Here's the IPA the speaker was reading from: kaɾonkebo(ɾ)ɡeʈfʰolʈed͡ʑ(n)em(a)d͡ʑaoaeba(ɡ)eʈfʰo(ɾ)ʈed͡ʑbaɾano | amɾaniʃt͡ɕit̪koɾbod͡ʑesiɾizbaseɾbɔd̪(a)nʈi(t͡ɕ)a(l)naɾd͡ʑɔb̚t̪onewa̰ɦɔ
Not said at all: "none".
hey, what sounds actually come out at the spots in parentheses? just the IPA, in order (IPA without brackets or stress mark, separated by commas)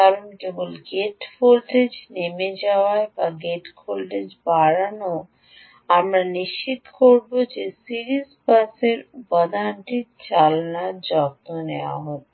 l, n, e, ɡ, l, a, t͡ɕ, l